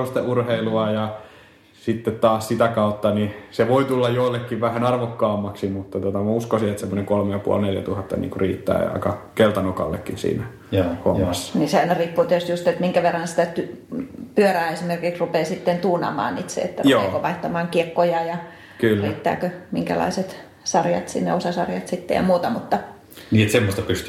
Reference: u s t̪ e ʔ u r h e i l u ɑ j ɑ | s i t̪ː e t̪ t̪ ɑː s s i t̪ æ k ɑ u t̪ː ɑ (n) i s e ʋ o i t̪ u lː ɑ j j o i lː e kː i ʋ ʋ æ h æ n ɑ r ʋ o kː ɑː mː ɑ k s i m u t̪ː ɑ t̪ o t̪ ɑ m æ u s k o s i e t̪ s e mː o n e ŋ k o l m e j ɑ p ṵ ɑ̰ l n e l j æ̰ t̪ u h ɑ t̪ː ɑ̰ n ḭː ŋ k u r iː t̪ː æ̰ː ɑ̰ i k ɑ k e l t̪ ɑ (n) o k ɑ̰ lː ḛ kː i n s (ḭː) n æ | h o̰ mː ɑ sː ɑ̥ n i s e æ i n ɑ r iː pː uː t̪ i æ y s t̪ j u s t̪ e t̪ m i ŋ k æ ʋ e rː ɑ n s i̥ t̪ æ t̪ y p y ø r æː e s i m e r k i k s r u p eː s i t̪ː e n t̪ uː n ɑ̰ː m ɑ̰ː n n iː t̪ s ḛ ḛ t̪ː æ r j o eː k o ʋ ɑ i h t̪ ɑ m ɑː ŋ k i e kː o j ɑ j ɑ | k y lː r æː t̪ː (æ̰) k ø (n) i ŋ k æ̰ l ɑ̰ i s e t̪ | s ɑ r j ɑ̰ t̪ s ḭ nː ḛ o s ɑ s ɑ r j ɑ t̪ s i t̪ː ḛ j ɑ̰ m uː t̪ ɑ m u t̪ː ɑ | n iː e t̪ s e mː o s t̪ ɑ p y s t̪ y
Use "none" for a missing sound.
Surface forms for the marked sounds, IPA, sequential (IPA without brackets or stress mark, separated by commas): n, n, ḭː, æ̰ː, m